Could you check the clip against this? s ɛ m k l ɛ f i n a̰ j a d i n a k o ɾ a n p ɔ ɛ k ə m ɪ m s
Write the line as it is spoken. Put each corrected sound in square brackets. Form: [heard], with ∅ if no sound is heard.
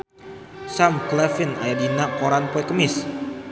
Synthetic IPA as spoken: s [a] m k l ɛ f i n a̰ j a d i n a k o ɾ a n p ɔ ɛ k ə m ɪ [∅] s